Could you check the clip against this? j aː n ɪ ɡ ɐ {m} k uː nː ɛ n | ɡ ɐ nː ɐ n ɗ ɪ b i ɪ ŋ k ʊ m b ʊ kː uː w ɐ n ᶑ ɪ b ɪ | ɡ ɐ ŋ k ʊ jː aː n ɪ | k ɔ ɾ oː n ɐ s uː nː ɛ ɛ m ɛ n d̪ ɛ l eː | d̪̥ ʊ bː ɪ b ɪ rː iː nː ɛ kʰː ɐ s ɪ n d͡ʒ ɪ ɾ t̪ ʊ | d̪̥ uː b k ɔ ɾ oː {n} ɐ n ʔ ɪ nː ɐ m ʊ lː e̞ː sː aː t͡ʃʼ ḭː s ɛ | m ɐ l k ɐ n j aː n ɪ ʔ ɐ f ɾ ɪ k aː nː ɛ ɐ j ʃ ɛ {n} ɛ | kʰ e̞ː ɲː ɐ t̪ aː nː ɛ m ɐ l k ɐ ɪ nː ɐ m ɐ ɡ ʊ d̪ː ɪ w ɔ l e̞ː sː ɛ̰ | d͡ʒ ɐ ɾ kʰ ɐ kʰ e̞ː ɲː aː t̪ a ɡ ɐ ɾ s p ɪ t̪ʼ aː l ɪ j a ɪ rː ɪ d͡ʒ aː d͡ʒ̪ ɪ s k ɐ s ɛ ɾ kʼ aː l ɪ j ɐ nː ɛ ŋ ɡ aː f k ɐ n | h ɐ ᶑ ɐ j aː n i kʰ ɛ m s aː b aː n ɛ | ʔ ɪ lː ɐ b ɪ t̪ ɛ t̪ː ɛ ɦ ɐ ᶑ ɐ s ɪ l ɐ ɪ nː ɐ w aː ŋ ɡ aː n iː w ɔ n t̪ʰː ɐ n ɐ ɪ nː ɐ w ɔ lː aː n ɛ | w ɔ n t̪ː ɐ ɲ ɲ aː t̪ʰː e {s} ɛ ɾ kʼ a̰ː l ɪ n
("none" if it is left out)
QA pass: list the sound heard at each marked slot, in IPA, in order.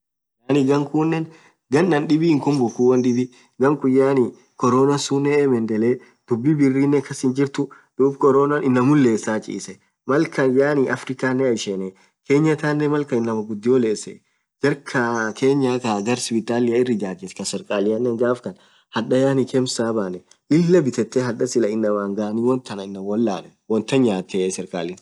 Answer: ŋ, n, n, s

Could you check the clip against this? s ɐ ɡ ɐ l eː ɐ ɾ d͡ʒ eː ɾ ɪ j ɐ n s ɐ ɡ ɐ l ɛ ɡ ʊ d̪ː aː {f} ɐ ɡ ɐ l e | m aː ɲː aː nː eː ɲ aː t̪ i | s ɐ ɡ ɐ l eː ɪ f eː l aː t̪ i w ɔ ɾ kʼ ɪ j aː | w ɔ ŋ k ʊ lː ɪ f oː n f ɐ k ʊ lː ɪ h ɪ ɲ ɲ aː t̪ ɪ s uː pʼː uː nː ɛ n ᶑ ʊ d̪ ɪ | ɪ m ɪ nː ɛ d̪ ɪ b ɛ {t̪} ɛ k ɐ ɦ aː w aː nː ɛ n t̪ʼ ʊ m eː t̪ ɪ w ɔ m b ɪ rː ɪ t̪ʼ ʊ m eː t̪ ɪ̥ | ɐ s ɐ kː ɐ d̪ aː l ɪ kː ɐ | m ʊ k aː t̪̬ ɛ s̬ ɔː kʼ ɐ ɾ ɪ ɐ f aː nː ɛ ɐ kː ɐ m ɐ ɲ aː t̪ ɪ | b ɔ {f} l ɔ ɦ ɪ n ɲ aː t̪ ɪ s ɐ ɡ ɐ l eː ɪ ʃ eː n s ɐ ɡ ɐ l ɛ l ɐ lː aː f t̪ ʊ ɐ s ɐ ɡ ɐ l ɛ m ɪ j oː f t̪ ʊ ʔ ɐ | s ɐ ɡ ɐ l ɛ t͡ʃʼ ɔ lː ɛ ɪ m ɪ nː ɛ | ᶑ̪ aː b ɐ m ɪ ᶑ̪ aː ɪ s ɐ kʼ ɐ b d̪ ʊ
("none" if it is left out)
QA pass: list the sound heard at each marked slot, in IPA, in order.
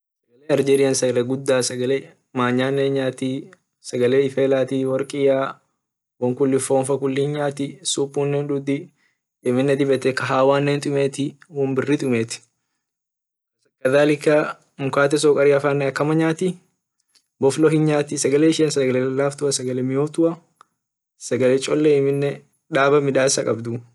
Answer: s, t̪, f

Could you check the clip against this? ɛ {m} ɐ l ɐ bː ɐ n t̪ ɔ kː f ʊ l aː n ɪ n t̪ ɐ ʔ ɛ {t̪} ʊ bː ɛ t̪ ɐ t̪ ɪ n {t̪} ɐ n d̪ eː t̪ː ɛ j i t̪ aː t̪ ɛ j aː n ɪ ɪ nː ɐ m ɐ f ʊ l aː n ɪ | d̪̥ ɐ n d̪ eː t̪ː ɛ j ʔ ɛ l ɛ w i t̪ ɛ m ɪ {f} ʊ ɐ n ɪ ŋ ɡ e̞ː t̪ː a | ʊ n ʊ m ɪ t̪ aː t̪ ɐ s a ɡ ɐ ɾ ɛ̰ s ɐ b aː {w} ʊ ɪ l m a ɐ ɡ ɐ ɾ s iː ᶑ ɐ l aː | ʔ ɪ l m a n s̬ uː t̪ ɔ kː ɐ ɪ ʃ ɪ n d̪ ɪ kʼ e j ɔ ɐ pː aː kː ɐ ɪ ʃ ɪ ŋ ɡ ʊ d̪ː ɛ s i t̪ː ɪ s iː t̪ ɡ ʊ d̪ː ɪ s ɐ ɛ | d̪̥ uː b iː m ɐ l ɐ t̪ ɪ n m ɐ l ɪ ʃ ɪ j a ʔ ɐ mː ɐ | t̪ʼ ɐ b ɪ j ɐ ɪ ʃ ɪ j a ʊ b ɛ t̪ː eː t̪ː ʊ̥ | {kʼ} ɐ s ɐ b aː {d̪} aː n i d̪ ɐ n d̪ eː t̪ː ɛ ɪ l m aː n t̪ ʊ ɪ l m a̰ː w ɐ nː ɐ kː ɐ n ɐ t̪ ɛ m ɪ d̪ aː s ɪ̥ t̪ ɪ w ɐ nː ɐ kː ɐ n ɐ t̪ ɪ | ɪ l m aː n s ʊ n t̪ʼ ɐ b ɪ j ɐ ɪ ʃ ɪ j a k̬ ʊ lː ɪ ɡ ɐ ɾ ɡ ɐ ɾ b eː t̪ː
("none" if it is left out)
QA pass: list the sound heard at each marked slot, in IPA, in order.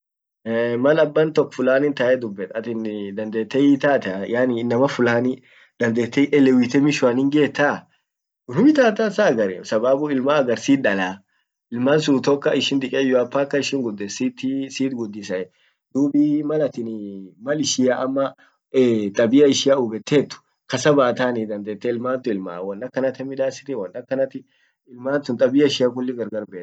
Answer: m, d̪, d̪, ʃ, b, k, t̪

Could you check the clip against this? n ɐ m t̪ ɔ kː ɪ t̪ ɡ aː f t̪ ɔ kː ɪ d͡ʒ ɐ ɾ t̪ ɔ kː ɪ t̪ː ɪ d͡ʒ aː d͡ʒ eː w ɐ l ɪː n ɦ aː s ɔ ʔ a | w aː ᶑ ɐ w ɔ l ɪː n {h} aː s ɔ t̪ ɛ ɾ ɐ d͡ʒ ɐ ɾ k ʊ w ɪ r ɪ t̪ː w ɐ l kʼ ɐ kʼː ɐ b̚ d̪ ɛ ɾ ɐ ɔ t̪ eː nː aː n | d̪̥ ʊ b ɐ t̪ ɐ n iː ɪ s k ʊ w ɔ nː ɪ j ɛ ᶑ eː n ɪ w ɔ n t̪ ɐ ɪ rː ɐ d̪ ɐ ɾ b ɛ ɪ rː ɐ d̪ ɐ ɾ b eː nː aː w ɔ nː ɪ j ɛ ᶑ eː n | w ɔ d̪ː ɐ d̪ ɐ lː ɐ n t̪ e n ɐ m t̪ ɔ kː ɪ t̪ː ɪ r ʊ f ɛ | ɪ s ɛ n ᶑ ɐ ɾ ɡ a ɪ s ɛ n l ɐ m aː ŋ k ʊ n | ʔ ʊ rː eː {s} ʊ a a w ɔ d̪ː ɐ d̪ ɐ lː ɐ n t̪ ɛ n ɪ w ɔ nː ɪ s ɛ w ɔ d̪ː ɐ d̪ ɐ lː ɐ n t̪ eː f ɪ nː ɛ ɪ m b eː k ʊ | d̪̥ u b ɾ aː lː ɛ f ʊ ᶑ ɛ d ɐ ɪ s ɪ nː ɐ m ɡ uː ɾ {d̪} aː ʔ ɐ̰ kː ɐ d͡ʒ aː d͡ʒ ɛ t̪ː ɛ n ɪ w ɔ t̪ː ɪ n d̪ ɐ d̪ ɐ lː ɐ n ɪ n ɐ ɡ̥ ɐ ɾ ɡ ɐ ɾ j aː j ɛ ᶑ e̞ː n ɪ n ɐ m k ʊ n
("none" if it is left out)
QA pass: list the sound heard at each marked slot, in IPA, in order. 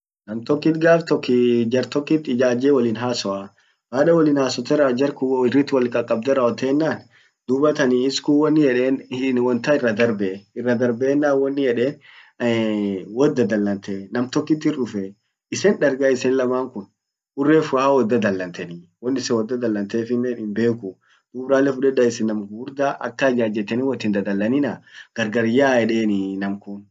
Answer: h, f, d̪

